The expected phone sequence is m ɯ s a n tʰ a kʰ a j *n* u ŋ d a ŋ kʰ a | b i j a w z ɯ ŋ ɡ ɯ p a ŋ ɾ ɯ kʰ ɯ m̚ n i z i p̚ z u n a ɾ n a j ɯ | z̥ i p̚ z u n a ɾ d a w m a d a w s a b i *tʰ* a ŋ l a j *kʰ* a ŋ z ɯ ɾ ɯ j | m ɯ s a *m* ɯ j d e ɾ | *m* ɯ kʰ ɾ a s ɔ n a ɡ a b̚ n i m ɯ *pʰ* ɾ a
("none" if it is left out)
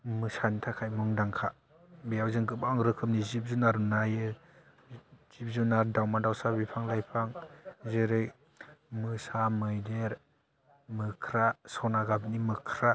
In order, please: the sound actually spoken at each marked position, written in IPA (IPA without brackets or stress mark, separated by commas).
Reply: m, pʰ, pʰ, m, m, kʰ